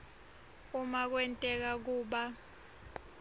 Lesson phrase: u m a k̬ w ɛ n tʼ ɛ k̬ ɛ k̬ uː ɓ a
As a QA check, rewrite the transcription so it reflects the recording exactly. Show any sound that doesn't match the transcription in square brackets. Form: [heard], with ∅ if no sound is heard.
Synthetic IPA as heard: u m a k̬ w ɛ n tʼ ɛ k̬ [a] k̬ uː ɓ a